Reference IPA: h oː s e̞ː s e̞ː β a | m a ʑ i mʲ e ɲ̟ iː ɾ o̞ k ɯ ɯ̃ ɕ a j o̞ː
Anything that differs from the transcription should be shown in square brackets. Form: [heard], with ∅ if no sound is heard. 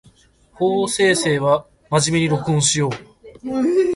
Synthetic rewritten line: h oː s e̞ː s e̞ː β a | m a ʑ i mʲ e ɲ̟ [i] ɾ o̞ k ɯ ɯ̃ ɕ [i] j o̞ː